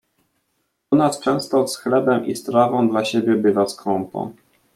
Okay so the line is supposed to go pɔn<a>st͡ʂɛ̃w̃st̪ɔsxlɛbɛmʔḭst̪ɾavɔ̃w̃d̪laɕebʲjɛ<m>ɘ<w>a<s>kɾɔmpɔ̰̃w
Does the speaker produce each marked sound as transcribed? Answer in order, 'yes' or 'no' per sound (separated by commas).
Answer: yes, no, no, yes